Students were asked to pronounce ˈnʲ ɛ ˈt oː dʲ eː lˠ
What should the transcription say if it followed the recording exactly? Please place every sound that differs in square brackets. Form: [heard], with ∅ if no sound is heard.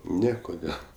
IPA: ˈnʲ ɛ [ˈk] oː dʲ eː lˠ

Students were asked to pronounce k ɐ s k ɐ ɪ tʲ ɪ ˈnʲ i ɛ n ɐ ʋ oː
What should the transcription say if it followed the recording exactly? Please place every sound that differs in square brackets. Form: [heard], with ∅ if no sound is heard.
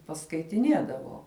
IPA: [p] ɐ s k ɐ ɪ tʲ ɪ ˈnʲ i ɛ [d] ɐ ʋ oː

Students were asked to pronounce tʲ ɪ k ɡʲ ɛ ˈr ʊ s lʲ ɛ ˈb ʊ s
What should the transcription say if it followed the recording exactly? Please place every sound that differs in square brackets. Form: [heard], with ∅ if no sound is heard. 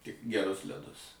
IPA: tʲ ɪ k ɡʲ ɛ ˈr ʊ s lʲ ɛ [ˈd] ʊ s

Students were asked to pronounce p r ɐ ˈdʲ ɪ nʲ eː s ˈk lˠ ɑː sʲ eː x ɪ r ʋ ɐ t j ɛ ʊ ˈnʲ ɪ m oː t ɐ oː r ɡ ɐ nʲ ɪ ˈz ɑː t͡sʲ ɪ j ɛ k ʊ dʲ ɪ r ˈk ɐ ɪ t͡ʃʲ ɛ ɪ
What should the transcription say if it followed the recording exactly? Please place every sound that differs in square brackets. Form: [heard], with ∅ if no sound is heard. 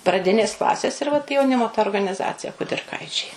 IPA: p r ɐ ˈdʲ ɪ nʲ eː s ˈk lˠ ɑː sʲ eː [s] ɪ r ʋ ɐ t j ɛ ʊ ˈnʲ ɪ m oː t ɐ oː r ɡ ɐ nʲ ɪ ˈz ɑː t͡sʲ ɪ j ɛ k ʊ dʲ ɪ r ˈk ɐ ɪ t͡ʃʲ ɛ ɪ

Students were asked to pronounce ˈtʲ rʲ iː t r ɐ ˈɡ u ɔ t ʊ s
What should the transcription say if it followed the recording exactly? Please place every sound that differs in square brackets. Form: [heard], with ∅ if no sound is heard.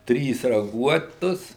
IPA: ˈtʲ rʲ iː [s] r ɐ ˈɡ u ɔ t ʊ s

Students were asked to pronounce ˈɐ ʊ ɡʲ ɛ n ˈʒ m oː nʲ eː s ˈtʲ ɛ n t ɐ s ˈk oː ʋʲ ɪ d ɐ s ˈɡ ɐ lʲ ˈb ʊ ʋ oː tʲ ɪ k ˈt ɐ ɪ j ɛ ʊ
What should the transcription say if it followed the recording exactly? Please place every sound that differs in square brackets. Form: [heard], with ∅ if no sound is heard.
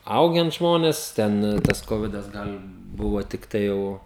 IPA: ˈɐ ʊ ɡʲ ɛ n ˈʒ m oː nʲ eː s ˈtʲ ɛ n t ɐ s ˈk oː ʋʲ ɪ d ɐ s ˈɡ ɐ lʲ ˈb ʊ ʋ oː tʲ ɪ k ˈt ɐ ɪ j ɛ ʊ

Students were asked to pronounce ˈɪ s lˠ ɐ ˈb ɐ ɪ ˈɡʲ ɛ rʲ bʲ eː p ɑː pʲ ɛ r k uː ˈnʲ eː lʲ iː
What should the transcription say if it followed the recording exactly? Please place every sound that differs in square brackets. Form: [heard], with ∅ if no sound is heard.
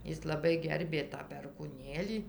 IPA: ˈɪ s lˠ ɐ ˈb ɐ ɪ ˈɡʲ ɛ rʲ bʲ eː [t] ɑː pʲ ɛ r k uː ˈnʲ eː lʲ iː

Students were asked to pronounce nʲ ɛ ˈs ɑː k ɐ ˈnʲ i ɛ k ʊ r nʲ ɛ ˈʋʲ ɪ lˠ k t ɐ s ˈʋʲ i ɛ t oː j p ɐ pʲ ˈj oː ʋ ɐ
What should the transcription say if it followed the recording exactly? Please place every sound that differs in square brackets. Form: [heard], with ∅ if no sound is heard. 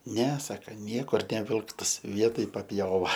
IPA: nʲ ɛ ˈs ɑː k ɐ ˈnʲ i ɛ k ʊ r nʲ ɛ ˈʋʲ ɪ lˠ k t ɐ s ˈʋʲ i ɛ t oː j p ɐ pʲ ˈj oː ʋ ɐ

